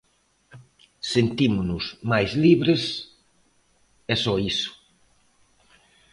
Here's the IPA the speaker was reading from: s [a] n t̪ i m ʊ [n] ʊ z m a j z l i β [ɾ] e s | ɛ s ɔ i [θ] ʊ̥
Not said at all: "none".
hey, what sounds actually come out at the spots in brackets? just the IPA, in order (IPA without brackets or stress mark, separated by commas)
e, n, ɾ, s